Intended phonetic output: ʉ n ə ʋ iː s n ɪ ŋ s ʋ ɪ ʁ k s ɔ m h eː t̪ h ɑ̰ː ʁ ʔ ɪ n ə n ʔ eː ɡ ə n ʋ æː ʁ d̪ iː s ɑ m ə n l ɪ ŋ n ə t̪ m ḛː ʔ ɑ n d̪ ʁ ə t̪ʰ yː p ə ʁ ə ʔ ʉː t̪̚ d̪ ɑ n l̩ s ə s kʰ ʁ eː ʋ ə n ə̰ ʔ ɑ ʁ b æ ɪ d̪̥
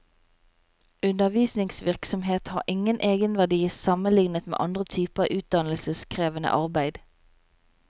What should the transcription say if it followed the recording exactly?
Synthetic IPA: ʉ n ə ʋ iː s n ɪ ŋ s ʋ ɪ ʁ k s ɔ m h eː t̪ h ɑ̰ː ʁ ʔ ɪ ŋ ə n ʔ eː ɡ ə n ʋ æ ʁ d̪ iː s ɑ m ə n l ɪ ŋ n ə t̪ m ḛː ʔ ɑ n d̪ ʁ ə t̪ʰ yː p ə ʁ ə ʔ ʉː t̪̚ d̪ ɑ n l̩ s ə s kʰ ʁ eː ʋ ə n ə̰ ʔ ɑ ʁ b æ ɪ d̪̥